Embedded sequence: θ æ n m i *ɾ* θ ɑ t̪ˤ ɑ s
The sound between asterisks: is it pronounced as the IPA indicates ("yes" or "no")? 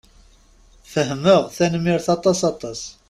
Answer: yes